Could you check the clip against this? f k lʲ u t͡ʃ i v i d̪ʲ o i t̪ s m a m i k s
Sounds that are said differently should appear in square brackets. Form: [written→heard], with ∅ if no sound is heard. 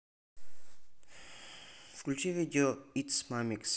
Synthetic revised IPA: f k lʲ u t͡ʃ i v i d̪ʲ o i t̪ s m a m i k s